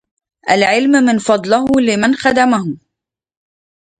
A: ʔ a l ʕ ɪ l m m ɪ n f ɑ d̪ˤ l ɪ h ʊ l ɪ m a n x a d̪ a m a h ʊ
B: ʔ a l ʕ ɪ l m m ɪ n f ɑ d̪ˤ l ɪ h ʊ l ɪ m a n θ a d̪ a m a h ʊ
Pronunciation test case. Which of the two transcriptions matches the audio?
A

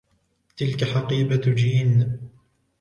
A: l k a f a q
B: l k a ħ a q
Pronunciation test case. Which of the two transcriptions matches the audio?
B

